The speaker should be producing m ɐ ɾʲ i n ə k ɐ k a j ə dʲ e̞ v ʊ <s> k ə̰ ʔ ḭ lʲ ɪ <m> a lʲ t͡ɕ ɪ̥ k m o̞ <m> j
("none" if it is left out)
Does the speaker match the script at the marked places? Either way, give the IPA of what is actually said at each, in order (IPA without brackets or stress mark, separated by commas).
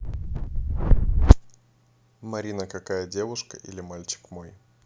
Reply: ʂ, m, none